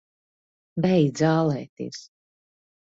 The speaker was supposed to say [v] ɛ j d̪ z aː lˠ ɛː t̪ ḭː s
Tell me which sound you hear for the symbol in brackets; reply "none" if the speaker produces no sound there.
b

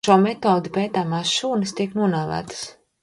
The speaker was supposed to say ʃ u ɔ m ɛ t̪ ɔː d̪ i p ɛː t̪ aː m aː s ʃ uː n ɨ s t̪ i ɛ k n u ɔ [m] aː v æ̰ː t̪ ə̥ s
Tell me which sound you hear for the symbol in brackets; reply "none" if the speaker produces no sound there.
n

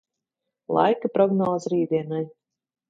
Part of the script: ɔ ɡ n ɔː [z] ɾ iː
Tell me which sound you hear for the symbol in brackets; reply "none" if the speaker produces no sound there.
z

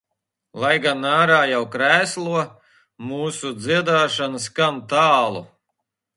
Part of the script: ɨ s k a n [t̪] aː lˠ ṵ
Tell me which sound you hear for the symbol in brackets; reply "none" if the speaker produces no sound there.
t̪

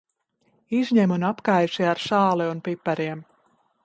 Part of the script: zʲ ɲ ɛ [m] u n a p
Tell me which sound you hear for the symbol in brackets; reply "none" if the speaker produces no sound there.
m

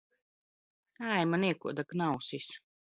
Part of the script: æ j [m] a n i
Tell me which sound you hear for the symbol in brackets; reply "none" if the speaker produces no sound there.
m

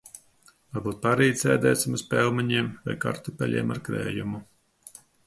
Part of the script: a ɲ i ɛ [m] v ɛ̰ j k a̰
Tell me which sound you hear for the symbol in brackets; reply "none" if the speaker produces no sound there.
m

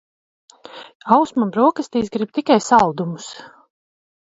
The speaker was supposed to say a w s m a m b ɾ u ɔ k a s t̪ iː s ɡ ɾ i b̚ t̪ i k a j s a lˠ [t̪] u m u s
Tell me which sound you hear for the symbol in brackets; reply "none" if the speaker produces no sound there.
d̪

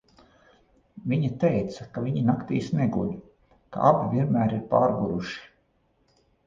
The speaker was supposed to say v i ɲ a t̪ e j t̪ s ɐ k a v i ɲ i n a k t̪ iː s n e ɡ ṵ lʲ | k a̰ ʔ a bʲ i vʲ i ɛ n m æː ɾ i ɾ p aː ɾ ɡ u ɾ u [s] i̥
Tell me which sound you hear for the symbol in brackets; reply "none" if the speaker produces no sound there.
ʃ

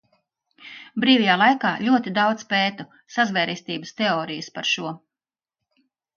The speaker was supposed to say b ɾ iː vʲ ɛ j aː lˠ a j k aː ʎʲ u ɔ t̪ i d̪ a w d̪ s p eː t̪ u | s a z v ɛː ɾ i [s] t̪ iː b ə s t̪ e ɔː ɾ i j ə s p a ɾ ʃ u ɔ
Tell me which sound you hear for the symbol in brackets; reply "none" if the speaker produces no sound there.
s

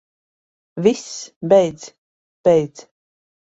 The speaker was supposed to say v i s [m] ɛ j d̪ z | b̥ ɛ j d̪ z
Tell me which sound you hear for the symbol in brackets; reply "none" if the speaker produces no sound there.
b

